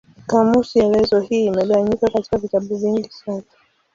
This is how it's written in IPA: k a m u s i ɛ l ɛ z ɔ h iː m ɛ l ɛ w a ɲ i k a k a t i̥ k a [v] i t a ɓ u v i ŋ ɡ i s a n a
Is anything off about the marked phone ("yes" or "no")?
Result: no